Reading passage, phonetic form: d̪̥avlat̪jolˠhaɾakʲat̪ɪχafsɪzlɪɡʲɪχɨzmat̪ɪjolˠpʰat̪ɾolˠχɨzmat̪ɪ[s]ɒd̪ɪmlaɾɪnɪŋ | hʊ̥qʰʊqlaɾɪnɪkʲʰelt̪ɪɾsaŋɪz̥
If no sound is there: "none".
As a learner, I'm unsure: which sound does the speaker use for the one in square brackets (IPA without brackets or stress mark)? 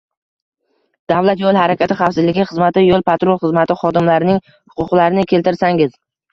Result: χ